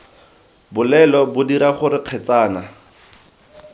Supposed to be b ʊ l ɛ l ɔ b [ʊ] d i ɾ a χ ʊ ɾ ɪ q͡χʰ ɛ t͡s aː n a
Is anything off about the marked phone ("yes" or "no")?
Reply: no